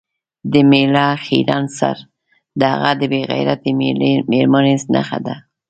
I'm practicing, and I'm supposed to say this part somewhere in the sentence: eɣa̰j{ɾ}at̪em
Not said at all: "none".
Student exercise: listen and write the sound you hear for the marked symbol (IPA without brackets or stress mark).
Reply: ɾ